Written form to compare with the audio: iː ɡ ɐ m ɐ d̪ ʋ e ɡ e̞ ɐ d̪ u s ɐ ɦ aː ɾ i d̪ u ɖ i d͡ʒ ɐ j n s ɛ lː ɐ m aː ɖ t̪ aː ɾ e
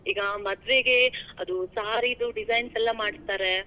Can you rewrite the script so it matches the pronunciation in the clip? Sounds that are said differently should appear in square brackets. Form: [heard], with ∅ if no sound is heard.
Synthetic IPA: iː ɡ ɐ m ɐ d̪ ʋ e ɡ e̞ ɐ d̪ u s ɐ ɦ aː ɾ i d̪ u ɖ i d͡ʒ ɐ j n s ɛ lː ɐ m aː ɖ t̪ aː ɾ e